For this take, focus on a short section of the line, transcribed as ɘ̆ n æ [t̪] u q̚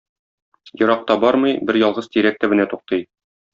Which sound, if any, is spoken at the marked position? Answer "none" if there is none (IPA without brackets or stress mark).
t̪